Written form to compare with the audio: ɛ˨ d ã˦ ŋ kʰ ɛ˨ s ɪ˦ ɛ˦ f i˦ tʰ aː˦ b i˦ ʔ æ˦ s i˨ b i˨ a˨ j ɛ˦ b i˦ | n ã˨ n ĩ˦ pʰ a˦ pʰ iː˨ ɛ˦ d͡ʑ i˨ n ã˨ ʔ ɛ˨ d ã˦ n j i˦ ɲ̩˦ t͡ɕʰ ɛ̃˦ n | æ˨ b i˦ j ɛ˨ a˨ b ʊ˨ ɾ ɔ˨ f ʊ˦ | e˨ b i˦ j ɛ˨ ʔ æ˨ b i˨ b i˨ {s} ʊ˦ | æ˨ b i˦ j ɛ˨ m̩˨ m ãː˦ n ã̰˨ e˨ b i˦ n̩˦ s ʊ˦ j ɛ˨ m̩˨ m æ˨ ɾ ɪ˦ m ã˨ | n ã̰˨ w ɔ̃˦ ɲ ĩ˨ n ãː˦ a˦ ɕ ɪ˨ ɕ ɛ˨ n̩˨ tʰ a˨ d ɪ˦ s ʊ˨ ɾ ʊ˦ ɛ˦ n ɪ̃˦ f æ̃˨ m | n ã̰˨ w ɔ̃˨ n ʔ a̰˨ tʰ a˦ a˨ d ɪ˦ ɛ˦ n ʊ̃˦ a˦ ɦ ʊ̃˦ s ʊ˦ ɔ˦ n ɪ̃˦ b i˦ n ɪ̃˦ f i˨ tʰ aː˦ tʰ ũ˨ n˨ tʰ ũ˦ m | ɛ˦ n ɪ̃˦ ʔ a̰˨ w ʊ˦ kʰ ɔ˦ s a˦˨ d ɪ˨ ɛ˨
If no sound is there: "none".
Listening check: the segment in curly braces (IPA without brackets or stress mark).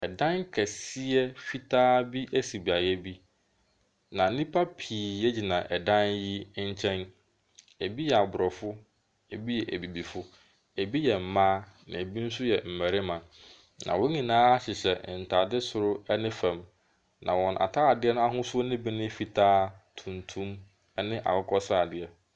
f